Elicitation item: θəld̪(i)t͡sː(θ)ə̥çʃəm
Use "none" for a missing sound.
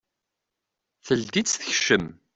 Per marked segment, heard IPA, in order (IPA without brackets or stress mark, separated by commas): i, θ